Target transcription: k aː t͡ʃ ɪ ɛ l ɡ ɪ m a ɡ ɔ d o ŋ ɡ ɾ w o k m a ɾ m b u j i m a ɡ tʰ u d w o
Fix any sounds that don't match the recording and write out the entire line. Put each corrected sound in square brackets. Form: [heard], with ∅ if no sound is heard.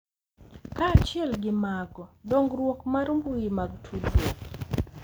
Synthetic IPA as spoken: k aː t͡ʃ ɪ ɛ l ɡ ɪ m a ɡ ɔ d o ŋ ɡ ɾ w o k m a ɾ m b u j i m a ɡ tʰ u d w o